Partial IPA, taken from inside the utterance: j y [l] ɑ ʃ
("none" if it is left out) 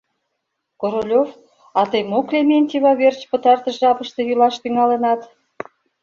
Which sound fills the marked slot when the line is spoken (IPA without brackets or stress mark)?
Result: l